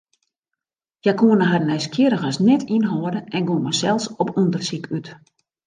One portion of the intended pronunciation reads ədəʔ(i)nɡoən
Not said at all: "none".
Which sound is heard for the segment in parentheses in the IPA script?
ɛ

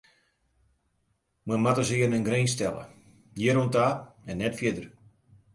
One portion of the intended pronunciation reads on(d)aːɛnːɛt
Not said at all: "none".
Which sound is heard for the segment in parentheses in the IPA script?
t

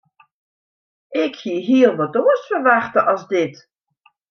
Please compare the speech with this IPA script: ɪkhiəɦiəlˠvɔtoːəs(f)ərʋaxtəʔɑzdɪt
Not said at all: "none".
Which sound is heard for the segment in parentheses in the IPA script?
f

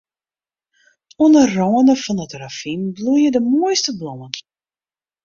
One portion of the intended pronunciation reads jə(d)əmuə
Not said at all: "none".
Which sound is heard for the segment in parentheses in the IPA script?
d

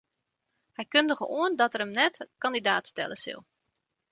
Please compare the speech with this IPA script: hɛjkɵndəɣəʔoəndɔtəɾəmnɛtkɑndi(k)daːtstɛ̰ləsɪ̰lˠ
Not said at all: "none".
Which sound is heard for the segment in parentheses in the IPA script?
none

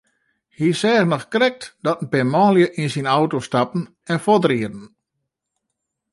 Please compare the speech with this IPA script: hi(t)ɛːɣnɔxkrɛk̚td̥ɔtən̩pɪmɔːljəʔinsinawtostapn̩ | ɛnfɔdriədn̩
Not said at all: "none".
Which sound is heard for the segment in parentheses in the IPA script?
s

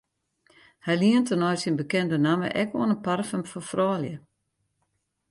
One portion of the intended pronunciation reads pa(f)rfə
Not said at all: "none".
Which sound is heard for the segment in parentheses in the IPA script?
none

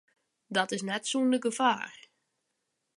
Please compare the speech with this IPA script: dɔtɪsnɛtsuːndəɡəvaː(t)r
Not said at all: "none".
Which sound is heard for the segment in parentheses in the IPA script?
none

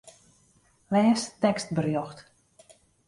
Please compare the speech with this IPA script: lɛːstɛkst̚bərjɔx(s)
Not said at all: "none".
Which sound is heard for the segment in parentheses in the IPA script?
t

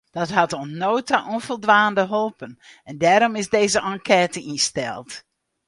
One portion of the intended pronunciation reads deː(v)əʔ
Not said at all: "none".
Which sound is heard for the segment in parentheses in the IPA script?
z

